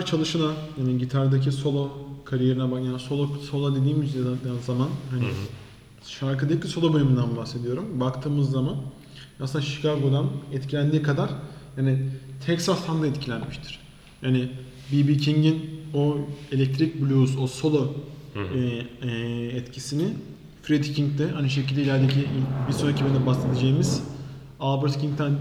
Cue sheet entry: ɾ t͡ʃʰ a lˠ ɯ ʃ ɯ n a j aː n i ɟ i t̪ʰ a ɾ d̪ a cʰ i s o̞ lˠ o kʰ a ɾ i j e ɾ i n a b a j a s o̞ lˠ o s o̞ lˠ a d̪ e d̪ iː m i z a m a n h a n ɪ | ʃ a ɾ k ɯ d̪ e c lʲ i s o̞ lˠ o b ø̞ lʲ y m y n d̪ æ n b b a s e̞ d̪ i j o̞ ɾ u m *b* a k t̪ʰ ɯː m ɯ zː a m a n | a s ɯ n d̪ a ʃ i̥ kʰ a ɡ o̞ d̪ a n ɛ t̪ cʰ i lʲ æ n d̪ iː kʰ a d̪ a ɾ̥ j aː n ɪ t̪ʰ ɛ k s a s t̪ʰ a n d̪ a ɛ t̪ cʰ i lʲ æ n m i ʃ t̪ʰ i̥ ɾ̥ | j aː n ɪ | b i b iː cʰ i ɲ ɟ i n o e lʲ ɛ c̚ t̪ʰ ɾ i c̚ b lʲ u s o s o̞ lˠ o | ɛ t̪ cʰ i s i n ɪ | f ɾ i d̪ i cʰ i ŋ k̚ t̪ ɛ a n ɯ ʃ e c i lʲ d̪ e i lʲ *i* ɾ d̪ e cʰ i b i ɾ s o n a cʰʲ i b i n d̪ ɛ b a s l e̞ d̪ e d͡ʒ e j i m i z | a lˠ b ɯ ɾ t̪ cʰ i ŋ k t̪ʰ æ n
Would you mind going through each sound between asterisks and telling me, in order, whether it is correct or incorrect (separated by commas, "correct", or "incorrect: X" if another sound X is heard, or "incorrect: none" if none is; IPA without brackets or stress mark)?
correct, incorrect: æ